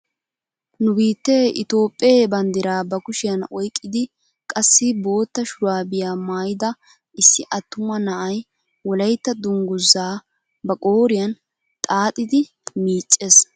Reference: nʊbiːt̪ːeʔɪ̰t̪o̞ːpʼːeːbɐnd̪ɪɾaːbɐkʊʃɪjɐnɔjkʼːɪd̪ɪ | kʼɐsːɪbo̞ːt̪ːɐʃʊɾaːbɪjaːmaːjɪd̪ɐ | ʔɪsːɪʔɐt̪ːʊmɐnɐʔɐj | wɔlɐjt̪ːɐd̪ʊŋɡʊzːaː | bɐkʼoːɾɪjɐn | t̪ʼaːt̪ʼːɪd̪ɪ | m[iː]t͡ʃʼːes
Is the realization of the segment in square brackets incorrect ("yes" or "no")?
no